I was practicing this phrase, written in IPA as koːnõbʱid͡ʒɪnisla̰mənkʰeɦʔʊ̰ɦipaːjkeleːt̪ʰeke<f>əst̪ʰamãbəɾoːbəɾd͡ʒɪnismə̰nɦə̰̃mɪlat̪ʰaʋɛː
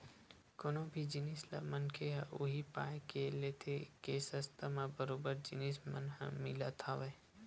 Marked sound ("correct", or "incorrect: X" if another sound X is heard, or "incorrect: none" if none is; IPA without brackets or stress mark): incorrect: s